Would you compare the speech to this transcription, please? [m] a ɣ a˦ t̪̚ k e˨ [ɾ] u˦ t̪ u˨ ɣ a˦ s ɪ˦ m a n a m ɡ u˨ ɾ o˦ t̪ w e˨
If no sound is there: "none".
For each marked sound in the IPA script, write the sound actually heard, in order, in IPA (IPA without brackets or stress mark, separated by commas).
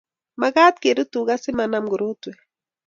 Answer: m, ɾ